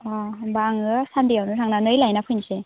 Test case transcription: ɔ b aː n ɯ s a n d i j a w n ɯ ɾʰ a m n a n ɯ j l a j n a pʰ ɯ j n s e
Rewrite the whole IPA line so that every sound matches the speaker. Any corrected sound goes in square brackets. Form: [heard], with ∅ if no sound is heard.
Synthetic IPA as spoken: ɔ b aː [ŋ] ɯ s a n d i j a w n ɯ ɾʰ a [ŋ] n a n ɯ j l a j n a pʰ ɯ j n s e